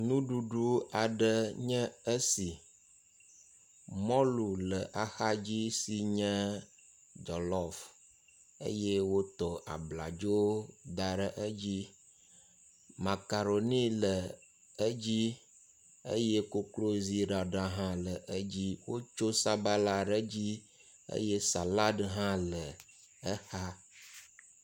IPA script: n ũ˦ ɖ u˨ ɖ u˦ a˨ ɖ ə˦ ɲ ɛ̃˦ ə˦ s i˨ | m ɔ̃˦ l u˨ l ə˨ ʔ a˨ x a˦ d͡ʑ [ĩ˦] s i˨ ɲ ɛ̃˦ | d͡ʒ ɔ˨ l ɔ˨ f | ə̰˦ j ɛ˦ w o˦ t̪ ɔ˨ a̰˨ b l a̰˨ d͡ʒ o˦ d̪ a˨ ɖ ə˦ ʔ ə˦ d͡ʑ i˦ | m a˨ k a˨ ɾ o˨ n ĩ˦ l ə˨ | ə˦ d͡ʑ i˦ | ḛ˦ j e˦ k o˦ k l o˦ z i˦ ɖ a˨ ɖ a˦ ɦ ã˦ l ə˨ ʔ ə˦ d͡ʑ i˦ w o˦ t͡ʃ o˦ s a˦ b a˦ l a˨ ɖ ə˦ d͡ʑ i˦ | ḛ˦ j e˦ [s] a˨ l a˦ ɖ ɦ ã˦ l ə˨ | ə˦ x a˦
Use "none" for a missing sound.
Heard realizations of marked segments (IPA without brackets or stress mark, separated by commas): i˦, s